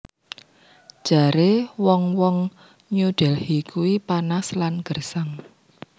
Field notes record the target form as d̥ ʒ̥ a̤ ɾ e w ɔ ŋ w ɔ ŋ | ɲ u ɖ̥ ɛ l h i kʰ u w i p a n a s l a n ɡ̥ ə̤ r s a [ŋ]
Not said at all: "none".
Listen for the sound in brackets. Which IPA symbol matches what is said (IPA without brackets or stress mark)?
ŋ